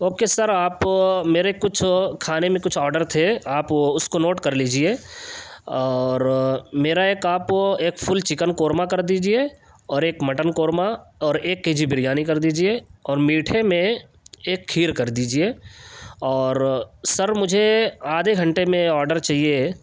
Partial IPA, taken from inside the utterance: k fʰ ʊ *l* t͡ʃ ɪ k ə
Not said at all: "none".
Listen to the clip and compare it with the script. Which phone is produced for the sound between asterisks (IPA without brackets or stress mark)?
l